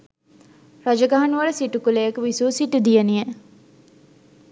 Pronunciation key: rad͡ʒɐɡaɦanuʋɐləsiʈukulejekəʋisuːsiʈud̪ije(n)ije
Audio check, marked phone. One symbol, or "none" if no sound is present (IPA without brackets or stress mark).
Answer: n